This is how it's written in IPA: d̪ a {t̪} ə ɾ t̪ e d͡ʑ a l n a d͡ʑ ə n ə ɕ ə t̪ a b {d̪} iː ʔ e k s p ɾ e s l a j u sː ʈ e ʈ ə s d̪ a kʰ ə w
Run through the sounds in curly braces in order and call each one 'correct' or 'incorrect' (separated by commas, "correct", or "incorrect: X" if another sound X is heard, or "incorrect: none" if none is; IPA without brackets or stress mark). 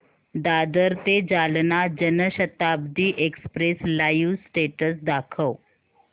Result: incorrect: d̪, correct